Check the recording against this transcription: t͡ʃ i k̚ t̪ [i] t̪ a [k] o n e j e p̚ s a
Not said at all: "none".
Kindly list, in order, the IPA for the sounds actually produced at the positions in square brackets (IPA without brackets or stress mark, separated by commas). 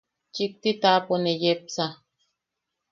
i, p